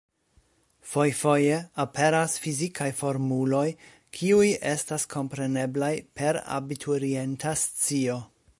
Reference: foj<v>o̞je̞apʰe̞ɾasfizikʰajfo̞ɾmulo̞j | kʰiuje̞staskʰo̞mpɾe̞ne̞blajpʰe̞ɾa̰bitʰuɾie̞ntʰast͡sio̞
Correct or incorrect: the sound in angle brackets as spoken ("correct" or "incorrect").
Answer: incorrect